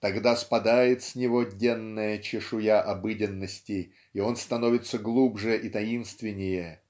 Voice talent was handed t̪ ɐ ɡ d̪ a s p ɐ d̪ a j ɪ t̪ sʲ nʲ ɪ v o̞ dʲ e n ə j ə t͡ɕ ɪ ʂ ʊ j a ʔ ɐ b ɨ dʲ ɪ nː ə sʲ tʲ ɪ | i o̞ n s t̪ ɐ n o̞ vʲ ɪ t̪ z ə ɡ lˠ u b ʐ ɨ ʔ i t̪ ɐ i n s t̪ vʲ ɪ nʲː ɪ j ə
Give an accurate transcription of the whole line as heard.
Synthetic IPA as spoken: t̪ ɐ ɡ d̪ a s p ɐ d̪ a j ɪ t̪ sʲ nʲ ɪ v o̞ dʲ e nː ə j ə t͡ɕ ɪ ʂ ʊ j a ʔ ɐ b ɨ dʲ ɪ nː ə sʲ tʲ ɪ | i o̞ n s t̪ ɐ n o̞ vʲ ɪ t̪ s ə ɡ lˠ u b ʐ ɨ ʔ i t̪ ɐ i n s t̪ vʲ ɪ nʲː ɪ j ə